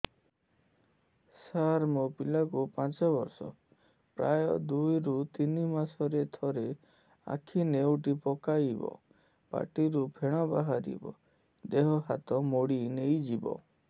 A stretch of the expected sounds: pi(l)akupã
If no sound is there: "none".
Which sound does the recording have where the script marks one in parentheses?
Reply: l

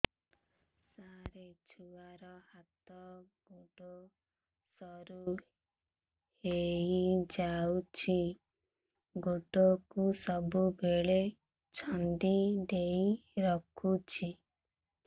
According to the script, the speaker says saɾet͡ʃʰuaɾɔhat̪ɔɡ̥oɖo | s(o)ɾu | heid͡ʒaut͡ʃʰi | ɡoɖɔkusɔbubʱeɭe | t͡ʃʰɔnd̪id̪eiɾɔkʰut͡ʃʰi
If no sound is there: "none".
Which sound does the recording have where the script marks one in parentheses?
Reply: ɔ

